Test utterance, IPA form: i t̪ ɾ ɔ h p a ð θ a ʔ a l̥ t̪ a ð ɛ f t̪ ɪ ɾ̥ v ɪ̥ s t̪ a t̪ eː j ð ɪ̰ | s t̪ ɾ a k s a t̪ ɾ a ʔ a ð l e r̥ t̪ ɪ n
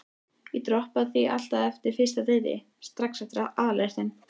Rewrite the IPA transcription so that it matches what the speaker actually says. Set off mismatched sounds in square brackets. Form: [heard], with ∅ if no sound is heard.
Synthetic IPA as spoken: i t̪ ɾ ɔ h p a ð θ [i] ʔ a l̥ t̪ a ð ɛ f t̪ ɪ ɾ̥ [f] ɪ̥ s t̪ a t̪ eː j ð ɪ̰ | s t̪ ɾ a k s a t̪ ɾ a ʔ a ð l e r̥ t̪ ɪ n

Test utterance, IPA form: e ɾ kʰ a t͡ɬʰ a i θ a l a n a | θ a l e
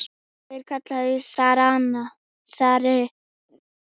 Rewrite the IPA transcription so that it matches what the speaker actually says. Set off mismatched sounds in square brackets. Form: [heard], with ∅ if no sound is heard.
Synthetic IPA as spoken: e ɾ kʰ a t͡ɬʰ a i [s] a [ɾ] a n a | [s] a [ɾ] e

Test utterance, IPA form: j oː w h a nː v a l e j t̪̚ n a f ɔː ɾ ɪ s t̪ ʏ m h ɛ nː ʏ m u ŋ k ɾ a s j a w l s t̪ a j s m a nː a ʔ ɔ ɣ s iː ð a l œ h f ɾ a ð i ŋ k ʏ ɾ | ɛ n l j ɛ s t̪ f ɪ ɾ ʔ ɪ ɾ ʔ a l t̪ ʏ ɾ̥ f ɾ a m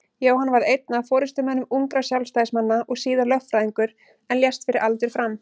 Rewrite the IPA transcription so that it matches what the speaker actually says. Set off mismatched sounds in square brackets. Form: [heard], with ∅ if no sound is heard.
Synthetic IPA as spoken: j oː w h a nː v a [ɾ] e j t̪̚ n a f ɔː ɾ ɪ s t̪ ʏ m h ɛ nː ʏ m u ŋ k ɾ a s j a w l s t̪ a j s m a nː a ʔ ɔ ɣ s iː ð a l œ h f ɾ a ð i ŋ k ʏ ɾ | ɛ n l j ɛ s t̪ f ɪ ɾ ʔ ɪ ɾ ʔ a l t̪ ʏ ɾ̥ f ɾ a m

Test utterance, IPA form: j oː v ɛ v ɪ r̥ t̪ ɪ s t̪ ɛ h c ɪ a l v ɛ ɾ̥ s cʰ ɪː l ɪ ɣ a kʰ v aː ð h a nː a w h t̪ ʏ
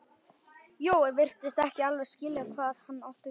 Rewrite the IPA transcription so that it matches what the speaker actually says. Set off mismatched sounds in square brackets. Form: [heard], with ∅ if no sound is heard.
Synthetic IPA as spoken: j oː [w] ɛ v ɪ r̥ t̪ ɪ s t̪ ɛ h c ɪ a l v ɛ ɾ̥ s [c] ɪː l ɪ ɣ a kʰ v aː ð h a nː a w h t̪ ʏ

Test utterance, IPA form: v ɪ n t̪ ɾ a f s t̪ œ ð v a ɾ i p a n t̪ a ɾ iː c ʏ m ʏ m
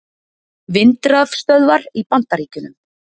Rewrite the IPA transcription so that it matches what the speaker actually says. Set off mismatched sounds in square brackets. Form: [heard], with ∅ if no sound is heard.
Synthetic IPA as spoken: v ɪ n t̪ ɾ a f s t̪ œ ð v a ɾ i p a n t̪ a ɾ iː c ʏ [n] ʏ m

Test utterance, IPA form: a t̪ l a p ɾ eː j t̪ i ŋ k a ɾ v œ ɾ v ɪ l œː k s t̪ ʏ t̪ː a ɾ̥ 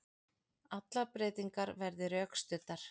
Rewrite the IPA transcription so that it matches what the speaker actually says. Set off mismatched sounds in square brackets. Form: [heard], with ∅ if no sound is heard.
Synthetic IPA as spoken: a t̪ l a p ɾ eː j t̪ i ŋ k a ɾ v [ɛ] ɾ [ð] ɪ [ɾ] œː k s t̪ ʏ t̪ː a ɾ̥

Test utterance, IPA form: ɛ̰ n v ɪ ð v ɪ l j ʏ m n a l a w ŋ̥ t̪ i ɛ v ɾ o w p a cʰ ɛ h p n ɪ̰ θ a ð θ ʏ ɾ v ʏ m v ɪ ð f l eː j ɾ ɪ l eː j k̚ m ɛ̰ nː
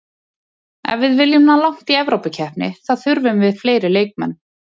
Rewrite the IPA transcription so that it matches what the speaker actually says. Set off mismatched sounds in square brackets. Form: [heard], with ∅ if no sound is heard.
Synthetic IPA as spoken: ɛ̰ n v ɪ ð v ɪ l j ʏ m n a l a w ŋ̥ t̪ i ɛ v ɾ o w p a cʰ ɛ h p n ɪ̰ θ a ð θ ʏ ɾ v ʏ m v ɪ ð f l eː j ɾ ɪ l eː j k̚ m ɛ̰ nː

